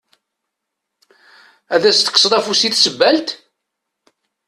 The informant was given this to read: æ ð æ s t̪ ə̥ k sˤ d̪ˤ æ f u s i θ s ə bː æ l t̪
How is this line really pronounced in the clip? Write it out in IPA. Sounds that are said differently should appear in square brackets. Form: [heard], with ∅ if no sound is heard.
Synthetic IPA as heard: æ ð æ s t̪ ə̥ k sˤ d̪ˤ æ f u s i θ s ə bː æ l t̪